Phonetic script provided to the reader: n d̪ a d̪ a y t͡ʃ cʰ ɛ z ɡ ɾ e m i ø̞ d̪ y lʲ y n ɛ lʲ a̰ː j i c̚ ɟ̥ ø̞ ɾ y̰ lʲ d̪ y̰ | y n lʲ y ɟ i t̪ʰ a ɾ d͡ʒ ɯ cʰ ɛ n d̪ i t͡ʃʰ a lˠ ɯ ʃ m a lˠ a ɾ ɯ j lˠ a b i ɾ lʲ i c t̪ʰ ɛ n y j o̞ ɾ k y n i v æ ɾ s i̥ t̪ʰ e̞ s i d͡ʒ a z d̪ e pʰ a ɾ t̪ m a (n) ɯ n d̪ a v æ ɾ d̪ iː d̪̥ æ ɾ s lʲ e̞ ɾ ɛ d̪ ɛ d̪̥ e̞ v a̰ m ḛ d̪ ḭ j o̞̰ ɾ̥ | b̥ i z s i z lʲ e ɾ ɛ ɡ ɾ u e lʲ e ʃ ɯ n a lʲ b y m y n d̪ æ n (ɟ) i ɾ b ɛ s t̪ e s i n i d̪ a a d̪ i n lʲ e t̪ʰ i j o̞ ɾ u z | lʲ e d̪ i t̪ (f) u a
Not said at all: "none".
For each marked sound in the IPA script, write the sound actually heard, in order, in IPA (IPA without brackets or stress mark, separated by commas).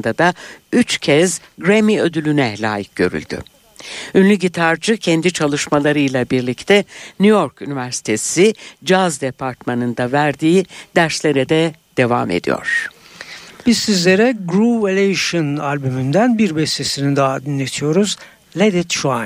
n, b, ʃ